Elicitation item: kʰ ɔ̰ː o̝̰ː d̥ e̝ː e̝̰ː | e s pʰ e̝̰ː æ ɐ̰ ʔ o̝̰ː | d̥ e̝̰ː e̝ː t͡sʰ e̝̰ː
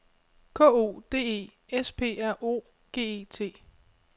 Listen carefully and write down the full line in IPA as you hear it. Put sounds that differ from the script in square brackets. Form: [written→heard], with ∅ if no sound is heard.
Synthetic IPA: kʰ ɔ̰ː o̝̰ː d̥ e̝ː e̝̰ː | e s pʰ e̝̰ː æ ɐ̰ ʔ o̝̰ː | [d̥→ɡ̥] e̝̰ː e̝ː t͡sʰ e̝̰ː